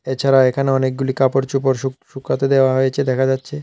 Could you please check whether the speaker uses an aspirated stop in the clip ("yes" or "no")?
yes